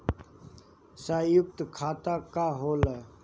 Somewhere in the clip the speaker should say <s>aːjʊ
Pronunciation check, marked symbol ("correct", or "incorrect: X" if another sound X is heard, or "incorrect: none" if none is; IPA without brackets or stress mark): correct